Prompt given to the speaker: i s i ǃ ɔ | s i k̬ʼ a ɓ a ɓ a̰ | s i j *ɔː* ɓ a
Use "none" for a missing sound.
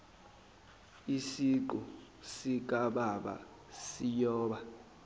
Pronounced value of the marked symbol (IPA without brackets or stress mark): ɔː